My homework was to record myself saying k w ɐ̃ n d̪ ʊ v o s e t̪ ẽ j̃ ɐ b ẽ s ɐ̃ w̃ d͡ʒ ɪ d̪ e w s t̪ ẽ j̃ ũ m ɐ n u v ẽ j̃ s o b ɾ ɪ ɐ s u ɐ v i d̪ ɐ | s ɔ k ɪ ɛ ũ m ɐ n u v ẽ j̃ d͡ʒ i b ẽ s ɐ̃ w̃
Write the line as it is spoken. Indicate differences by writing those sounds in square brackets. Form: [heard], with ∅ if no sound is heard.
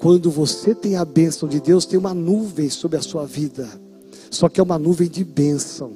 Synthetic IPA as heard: k w ɐ̃ n d̪ ʊ v o s e t̪ ẽ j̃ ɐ b ẽ s ɐ̃ w̃ d͡ʒ ɪ d̪ e w s t̪ ẽ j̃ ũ m ɐ n u v ẽ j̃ s o b ɾ ɪ ɐ s u ɐ v i d̪ ɐ | s ɔ k ɪ ɛ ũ m ɐ n u v ẽ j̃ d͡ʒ [ɪ] b ẽ s ɐ̃ w̃